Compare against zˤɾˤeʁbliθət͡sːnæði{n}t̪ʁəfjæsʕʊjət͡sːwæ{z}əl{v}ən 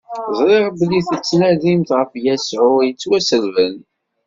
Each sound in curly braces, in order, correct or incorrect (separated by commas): incorrect, incorrect, correct